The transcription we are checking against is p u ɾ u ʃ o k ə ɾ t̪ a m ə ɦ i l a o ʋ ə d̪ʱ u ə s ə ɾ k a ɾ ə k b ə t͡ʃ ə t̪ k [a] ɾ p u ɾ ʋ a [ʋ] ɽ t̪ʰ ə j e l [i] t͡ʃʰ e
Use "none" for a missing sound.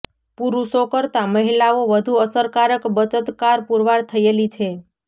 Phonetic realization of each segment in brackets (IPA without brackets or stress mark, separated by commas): a, none, i